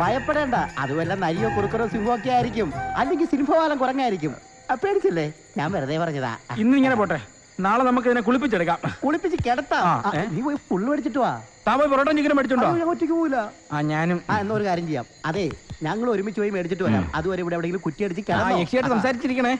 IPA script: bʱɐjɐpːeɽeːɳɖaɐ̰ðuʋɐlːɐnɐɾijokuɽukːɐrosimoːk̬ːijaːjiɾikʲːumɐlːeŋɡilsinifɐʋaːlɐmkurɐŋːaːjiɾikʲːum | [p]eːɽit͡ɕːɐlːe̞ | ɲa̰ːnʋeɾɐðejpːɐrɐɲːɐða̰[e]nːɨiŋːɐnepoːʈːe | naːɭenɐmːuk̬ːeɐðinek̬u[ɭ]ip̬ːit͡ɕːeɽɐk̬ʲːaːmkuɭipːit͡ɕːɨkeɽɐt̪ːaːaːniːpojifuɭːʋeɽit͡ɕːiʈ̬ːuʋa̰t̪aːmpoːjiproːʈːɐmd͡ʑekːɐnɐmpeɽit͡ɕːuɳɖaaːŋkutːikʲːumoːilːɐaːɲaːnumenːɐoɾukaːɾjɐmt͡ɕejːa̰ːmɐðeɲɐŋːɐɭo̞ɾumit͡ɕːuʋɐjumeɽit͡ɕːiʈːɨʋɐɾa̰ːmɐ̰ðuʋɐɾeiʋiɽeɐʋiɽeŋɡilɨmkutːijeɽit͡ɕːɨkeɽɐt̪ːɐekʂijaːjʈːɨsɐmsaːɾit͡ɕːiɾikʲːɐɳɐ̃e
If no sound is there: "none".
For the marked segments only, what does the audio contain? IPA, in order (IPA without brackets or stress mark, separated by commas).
p, i, ɭ